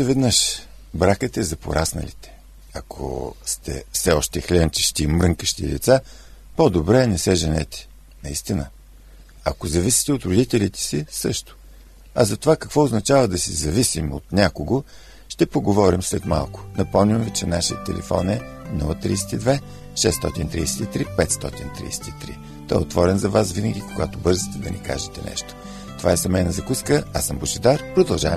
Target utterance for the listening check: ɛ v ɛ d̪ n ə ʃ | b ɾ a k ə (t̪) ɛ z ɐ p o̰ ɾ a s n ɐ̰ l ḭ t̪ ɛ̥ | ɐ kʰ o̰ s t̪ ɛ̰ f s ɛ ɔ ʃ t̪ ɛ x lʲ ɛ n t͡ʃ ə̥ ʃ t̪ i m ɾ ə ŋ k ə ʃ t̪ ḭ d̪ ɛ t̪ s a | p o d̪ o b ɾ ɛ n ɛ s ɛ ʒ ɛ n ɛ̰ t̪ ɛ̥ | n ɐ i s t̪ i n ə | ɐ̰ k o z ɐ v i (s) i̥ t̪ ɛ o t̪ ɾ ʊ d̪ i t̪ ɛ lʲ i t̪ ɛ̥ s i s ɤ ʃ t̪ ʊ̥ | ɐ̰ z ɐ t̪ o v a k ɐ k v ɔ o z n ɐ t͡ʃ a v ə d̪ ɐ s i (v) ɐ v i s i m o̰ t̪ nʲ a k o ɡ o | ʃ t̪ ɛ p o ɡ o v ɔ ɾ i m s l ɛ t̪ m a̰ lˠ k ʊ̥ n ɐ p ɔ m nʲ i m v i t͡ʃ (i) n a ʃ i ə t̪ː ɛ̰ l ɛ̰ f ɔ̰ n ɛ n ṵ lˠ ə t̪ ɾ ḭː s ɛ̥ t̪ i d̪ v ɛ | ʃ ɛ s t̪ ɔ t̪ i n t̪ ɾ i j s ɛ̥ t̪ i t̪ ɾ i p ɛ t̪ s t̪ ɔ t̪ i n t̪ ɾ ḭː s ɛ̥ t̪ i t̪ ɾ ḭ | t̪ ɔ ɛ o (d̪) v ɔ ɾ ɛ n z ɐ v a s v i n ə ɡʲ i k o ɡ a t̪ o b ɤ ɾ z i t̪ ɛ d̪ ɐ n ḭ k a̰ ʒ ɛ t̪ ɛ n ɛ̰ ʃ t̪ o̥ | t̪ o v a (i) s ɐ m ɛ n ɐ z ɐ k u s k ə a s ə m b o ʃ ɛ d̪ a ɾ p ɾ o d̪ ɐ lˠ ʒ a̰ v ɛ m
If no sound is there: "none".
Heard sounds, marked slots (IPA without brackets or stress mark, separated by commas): t̪, s, z, ɛ, t̪, ɛ